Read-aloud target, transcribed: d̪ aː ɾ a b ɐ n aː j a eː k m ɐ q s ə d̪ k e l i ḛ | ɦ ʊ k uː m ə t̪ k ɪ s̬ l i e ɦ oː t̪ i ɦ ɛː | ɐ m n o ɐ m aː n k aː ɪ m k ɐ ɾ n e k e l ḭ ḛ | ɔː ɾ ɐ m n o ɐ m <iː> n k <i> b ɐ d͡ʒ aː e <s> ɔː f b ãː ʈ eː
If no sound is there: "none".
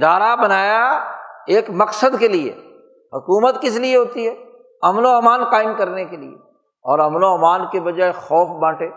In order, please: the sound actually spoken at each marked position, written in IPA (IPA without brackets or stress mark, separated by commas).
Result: aː, e, x